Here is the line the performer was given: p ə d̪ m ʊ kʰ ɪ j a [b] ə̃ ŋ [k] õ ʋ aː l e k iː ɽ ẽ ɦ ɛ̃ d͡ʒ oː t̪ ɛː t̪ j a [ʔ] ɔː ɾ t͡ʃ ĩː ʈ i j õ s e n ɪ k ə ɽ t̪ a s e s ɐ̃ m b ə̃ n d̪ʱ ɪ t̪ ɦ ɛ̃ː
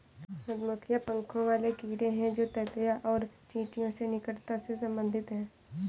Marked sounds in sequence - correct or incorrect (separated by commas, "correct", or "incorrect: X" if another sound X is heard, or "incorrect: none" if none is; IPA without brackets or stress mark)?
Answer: incorrect: p, incorrect: kʰ, correct